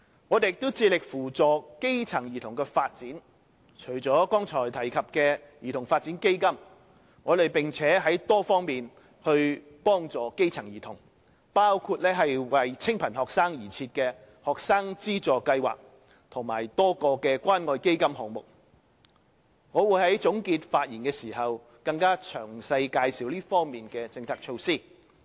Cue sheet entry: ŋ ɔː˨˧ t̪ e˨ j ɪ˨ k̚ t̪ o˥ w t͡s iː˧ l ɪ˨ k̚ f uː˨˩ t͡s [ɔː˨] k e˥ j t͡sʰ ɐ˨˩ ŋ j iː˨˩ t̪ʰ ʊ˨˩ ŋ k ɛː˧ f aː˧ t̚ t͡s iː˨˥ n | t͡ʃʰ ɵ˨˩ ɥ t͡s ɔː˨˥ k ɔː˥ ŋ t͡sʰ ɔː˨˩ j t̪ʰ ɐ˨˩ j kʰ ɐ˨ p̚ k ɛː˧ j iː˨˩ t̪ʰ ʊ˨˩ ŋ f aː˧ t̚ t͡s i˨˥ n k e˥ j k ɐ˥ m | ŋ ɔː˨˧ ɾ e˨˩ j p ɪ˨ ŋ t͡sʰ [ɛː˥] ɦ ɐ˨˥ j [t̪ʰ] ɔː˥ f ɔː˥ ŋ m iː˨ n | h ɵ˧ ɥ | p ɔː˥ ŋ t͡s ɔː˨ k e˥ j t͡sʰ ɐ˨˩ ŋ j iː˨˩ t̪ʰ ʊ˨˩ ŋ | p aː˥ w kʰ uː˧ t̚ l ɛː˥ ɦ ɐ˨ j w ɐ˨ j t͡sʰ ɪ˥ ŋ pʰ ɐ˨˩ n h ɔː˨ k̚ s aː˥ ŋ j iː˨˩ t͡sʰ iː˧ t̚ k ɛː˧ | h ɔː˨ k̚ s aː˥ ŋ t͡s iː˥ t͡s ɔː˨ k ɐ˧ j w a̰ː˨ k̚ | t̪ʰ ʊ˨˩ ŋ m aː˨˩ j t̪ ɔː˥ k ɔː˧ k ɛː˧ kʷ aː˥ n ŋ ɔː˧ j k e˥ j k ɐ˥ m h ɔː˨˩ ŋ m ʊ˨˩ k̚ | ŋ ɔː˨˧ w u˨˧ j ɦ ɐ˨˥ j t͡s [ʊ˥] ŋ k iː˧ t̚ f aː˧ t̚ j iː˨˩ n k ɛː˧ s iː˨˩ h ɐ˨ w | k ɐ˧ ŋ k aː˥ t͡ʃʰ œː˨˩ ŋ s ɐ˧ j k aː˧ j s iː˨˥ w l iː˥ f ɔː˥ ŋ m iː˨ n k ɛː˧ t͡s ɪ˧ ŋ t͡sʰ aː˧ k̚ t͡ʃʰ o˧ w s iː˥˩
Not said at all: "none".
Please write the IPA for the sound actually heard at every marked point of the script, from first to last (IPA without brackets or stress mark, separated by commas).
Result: ɔː˨, ɛː˨˥, t̪, ʊ˨˥